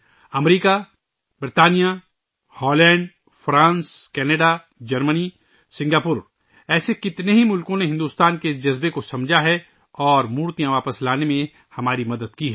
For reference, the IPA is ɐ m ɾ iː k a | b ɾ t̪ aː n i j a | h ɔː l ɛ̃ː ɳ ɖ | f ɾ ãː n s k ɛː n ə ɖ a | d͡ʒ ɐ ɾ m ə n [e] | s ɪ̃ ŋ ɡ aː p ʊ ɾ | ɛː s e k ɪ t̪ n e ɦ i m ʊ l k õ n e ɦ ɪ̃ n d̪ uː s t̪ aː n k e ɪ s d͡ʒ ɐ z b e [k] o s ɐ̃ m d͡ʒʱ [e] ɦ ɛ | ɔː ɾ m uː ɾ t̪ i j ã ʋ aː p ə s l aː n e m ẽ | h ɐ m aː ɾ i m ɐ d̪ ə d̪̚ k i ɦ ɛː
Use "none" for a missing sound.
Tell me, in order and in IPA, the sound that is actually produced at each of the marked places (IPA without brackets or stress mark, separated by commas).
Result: i, k, a